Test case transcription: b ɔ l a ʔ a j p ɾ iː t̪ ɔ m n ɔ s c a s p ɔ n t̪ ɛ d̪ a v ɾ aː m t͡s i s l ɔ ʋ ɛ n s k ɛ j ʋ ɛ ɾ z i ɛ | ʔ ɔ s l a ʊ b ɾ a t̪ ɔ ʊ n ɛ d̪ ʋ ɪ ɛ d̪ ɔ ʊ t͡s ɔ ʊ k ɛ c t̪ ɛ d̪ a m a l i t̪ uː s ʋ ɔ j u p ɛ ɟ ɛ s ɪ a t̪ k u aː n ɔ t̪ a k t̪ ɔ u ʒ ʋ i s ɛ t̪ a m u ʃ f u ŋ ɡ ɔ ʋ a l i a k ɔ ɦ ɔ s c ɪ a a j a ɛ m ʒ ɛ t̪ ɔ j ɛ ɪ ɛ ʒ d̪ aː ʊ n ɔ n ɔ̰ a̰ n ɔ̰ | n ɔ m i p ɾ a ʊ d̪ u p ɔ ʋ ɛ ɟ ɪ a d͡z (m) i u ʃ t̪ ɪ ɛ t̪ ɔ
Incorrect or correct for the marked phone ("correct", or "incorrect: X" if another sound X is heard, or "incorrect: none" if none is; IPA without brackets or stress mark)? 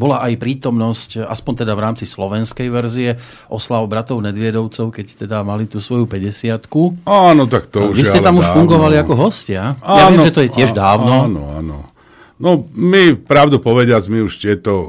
correct